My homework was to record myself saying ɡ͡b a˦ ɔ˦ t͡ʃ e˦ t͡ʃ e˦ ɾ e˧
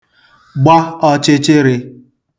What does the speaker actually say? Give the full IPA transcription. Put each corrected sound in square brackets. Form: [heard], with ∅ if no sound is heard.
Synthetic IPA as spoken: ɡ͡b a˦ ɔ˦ t͡ʃ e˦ t͡ʃ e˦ ɾ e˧